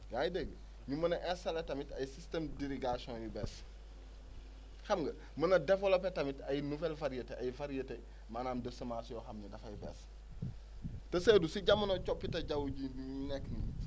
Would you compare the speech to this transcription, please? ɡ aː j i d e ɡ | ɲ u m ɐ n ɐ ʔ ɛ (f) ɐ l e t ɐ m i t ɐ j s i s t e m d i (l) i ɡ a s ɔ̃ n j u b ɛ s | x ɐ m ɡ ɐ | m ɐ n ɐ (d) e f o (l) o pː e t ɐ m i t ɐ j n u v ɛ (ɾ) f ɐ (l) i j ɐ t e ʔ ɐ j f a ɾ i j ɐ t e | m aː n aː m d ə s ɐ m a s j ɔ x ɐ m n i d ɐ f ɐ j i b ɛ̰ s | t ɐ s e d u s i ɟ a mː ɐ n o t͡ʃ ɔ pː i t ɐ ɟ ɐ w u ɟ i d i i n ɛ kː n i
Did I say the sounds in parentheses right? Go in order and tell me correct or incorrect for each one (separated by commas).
incorrect, incorrect, correct, correct, incorrect, incorrect